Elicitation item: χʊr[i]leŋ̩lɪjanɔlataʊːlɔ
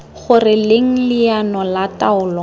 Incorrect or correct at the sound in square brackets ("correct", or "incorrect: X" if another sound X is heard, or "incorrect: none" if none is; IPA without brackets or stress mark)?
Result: incorrect: ɪ